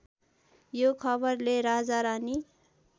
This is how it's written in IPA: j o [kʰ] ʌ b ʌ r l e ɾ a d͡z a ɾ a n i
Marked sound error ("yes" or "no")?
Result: no